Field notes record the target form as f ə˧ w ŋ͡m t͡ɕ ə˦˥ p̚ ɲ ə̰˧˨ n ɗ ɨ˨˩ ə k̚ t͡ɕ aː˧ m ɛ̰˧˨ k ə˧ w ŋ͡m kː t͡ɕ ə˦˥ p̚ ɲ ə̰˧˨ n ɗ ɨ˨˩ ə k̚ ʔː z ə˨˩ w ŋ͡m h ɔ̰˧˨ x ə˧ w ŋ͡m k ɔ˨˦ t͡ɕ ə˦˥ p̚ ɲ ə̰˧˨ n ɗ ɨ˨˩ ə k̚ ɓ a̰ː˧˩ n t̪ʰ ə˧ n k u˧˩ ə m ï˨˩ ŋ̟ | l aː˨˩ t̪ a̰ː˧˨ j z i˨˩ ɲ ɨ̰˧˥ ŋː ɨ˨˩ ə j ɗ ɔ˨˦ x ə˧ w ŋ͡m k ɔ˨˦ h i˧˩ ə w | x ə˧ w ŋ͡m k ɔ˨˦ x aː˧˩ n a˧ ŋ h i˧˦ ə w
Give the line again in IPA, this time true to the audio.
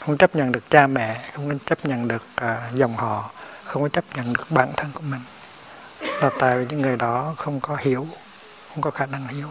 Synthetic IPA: x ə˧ w ŋ͡m t͡ɕ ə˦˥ p̚ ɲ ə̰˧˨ n ɗ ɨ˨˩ ə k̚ t͡ɕ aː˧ m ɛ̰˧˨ x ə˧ w ŋ͡m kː t͡ɕ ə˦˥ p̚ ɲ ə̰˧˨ n ɗ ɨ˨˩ ə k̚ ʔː z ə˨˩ w ŋ͡m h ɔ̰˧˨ x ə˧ w ŋ͡m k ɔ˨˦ t͡ɕ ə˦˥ p̚ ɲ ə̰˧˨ n ɗ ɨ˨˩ ə k̚ ɓ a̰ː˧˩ n t̪ʰ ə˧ n k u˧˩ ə m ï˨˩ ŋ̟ | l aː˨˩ t̪ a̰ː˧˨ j v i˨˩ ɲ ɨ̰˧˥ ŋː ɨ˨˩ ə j ɗ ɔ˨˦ x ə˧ w ŋ͡m k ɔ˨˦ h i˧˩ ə w | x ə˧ w ŋ͡m k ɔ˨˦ x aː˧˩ n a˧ ŋ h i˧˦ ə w